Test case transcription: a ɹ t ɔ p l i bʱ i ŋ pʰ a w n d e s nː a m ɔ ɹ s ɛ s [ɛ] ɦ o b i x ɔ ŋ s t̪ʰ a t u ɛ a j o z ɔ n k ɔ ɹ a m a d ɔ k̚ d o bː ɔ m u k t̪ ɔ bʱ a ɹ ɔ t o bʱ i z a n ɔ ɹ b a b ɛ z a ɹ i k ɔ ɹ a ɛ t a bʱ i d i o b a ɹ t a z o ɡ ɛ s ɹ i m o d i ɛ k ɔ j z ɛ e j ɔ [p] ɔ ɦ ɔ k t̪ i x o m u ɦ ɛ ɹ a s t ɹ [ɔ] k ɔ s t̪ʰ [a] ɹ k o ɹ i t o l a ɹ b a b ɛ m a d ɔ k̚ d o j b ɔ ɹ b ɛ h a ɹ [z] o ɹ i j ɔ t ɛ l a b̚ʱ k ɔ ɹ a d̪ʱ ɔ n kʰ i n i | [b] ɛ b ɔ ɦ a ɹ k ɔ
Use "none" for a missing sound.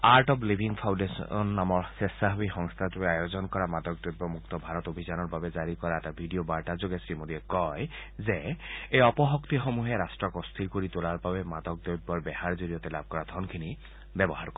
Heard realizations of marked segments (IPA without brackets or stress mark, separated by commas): a, p, ɔ, i, z, b